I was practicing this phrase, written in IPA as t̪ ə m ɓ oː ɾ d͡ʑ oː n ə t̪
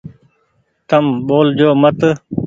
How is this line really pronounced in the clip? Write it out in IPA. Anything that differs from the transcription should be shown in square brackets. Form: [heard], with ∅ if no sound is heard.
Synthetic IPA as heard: t̪ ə m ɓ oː [l] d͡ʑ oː [m] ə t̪